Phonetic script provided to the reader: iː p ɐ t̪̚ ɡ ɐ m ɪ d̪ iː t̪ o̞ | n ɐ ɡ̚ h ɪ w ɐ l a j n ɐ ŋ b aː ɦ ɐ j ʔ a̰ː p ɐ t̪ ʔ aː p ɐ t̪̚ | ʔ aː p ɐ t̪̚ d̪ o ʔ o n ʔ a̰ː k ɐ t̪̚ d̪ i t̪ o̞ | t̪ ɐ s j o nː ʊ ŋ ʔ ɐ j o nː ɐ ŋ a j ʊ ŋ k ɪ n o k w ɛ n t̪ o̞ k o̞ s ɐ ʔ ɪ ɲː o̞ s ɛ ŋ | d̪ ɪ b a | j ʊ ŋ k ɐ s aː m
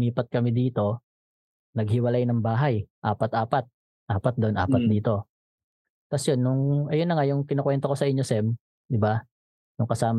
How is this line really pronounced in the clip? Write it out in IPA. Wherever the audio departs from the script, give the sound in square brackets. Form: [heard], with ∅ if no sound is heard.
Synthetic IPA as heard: iː p ɐ t̪̚ [k] ɐ m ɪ d̪ iː t̪ o̞ | n ɐ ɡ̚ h ɪ w ɐ l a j n ɐ ŋ b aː ɦ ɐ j ʔ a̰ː p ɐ t̪ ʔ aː p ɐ t̪̚ | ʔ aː p ɐ t̪̚ d̪ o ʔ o n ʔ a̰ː [p] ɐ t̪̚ d̪ [iː] t̪ o̞ | t̪ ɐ s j o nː ʊ ŋ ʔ ɐ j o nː ɐ ŋ a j ʊ ŋ k ɪ n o k w ɛ n t̪ o̞ k o̞ s ɐ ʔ ɪ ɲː o̞ s ɛ [m] | d̪ ɪ b a | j ʊ ŋ k ɐ s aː m